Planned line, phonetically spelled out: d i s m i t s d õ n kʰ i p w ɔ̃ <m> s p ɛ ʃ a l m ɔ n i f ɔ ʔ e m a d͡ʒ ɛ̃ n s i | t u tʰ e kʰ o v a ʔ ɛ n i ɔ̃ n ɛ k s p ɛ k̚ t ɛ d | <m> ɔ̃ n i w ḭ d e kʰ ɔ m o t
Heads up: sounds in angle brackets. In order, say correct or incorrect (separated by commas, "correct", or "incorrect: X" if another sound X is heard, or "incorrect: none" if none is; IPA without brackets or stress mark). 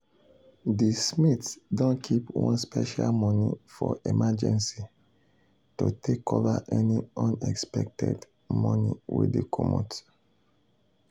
incorrect: n, correct